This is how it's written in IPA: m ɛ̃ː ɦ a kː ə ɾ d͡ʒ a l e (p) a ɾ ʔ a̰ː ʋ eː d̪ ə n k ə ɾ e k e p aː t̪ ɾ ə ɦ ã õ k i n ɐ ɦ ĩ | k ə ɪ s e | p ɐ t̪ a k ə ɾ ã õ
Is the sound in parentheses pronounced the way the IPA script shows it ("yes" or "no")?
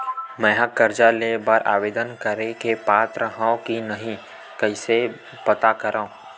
no